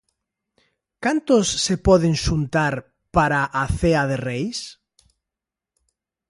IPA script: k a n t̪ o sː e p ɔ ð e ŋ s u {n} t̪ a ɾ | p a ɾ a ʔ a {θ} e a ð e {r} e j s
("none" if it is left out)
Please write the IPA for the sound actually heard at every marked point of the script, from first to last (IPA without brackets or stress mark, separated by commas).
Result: n, θ, r